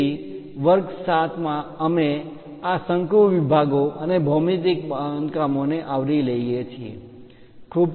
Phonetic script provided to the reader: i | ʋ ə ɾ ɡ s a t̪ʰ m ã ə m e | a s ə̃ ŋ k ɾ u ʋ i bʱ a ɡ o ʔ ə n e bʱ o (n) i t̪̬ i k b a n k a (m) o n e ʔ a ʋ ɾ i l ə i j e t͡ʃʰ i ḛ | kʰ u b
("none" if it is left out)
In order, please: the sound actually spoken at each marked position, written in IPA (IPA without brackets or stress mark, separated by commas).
m, m